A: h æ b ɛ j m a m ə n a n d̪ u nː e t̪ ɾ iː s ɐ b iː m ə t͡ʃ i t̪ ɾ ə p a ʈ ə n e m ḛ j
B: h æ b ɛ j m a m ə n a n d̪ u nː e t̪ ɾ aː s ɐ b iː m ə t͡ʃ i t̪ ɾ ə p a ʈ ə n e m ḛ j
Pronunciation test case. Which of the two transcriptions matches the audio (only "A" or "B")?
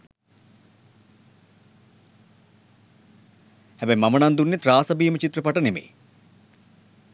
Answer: B